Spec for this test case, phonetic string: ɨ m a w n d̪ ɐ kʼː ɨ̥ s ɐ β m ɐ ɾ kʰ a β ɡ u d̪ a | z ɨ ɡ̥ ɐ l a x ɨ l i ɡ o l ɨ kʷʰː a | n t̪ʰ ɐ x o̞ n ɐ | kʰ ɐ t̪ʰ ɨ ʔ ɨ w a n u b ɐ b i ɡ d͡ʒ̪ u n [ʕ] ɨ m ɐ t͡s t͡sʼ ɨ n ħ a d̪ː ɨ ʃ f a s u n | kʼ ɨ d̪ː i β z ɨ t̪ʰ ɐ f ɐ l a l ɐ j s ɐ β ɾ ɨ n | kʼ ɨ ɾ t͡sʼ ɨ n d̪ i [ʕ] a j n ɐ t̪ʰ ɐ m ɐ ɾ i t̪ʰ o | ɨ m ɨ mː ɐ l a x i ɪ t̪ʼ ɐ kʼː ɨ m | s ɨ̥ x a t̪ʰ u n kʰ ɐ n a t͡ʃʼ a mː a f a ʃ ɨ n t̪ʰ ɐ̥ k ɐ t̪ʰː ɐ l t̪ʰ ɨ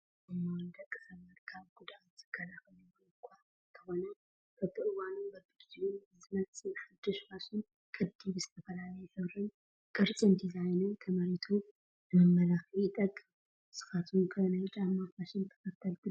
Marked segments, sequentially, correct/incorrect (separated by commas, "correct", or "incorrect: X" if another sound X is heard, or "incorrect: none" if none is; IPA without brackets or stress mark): incorrect: z, incorrect: z